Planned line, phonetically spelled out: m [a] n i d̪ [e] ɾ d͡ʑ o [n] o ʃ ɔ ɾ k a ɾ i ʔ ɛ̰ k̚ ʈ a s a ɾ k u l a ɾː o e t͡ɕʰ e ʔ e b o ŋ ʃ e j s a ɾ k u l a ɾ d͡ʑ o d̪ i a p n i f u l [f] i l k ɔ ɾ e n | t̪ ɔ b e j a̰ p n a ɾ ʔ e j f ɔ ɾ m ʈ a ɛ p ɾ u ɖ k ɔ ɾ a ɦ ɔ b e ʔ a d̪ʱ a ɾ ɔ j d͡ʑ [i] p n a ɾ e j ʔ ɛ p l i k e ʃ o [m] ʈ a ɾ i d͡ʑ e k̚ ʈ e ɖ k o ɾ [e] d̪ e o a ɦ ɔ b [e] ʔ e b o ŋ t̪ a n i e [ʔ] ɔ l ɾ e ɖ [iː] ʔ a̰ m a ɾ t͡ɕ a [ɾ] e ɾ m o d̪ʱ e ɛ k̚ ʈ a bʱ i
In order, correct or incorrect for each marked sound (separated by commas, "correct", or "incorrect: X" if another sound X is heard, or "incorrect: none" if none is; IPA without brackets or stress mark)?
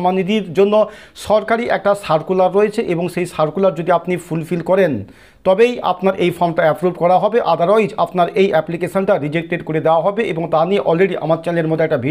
correct, incorrect: i, incorrect: nː, correct, incorrect: a, incorrect: n, correct, correct, correct, incorrect: i, incorrect: l